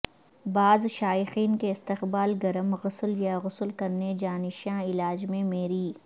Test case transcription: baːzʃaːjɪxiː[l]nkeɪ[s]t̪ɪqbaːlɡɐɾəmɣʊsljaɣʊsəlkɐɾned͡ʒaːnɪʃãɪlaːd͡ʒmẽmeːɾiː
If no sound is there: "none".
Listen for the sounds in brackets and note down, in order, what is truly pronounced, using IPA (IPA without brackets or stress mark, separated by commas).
none, s